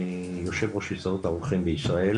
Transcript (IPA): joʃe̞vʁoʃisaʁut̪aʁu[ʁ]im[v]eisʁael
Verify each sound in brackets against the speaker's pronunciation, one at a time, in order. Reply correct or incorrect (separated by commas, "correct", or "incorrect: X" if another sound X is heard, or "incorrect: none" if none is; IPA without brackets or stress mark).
incorrect: χ, incorrect: b